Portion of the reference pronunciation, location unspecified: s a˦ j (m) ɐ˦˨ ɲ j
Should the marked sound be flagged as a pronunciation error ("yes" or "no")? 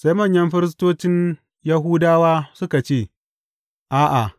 no